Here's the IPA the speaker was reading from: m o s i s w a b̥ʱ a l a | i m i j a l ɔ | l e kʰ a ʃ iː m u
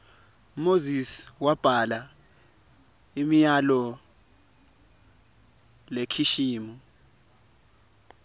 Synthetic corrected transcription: m o z i s w a b̥ʱ a l a | i m i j a l ɔ | l e kʰ i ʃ iː m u